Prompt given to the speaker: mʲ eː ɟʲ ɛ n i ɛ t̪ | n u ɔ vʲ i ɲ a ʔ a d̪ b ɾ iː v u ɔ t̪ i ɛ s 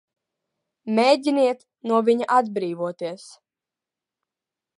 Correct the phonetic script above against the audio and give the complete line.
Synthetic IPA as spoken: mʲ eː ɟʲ i n i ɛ t̪ | n u ɔ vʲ i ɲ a ʔ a d̪ b ɾ iː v u ɔ t̪ i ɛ s